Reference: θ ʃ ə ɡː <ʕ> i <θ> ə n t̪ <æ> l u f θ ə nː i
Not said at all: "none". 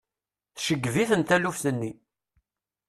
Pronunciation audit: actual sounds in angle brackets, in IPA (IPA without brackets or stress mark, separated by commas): v, θ, æ